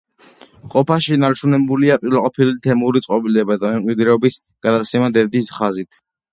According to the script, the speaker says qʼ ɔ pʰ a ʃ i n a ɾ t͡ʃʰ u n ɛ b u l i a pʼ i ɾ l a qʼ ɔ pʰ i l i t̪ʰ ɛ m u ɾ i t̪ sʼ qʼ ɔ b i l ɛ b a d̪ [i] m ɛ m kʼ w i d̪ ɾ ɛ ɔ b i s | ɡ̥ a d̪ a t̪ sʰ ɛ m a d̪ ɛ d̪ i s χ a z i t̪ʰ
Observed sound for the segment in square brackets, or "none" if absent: a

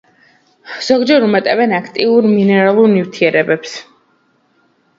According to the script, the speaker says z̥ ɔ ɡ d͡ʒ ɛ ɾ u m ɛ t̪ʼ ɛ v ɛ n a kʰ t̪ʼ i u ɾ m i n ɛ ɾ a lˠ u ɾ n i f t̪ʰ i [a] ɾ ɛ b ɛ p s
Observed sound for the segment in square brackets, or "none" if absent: ɛ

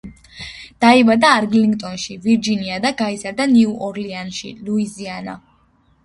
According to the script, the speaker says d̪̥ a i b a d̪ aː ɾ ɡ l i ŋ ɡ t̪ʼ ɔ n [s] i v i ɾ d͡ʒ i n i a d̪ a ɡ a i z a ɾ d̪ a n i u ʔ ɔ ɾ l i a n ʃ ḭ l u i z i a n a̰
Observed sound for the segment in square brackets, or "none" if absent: ʃ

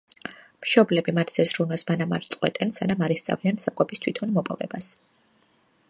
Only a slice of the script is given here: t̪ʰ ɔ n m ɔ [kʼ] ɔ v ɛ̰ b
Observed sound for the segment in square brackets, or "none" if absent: pʼ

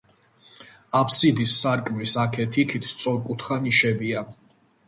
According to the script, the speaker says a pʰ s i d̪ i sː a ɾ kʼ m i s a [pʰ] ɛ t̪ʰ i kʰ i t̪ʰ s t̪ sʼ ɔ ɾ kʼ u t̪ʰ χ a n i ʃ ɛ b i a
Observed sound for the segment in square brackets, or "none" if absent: kʰ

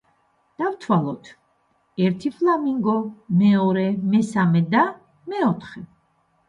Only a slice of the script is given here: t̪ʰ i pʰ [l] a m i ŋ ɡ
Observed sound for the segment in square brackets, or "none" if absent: l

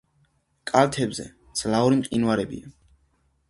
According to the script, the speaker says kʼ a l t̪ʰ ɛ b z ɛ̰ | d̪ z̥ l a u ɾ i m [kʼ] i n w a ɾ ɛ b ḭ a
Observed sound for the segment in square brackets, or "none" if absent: qʼ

